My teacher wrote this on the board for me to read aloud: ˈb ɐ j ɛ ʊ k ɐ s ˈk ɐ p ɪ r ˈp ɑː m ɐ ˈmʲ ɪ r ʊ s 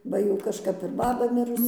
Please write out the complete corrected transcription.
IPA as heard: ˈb ɐ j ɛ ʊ k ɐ ʃ ˈk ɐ p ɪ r ˈb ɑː b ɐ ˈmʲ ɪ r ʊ s